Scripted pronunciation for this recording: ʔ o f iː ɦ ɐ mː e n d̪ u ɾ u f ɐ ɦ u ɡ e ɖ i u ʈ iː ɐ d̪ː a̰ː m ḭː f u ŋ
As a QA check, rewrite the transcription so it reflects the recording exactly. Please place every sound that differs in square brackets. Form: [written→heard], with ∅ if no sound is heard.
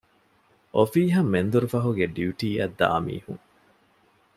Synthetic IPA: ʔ o f iː ɦ ɐ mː e n d̪ u ɾ u f ɐ ɦ u ɡ e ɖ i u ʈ iː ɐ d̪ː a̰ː m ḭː [f→h] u ŋ